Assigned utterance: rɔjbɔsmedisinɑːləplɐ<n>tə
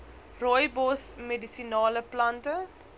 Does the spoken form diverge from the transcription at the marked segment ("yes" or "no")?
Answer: no